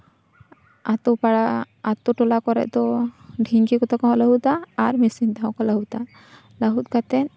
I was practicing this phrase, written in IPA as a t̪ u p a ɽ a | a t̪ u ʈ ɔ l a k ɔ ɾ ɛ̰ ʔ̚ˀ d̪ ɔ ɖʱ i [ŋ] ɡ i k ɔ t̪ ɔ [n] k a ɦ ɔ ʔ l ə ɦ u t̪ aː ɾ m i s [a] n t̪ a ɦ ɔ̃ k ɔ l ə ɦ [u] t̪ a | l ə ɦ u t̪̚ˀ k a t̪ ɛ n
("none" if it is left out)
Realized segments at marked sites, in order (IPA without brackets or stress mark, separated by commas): ŋ, none, i, u